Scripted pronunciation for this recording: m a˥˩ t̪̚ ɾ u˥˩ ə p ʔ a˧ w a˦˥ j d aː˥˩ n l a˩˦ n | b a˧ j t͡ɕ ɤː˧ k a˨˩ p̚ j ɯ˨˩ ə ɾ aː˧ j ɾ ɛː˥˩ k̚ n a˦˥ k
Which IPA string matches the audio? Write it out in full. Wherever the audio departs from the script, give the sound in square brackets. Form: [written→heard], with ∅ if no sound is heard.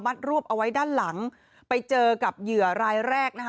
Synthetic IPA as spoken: m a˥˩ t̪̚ ɾ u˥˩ ə p ʔ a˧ w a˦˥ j d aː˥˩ n l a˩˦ [n→ŋ] | [b→p] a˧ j t͡ɕ ɤː˧ k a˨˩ p̚ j ɯ˨˩ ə ɾ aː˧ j ɾ ɛː˥˩ k̚ n a˦˥ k